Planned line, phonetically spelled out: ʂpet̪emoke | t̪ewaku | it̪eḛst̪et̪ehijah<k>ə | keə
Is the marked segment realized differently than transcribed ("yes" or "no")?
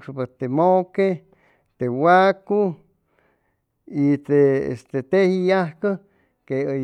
no